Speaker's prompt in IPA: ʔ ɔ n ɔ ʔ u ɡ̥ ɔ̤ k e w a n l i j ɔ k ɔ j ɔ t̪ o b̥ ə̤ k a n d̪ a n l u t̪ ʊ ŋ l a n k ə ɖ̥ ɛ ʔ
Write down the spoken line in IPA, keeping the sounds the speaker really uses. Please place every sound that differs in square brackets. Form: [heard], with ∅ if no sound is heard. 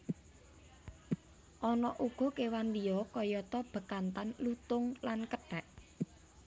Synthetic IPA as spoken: ʔ ɔ n ɔ ʔ u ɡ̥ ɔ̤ k e w a n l i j ɔ k ɔ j ɔ t̪ [ɔ] b̥ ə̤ k a n [t̪] a n l u t̪ ʊ ŋ l a n k ə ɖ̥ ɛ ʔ